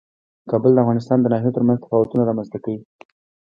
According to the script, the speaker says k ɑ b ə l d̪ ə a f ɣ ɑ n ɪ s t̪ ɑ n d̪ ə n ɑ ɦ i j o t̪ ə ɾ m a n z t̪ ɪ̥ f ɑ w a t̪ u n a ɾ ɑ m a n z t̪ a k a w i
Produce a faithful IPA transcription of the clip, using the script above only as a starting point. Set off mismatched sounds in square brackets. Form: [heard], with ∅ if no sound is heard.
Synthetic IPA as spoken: k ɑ b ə l d̪ ə a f ɣ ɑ n ɪ s t̪ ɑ n d̪ ə n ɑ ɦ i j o t̪ ə ɾ m a n z t̪ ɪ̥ f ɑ w a t̪ u n a ɾ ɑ m a n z t̪ a k a w i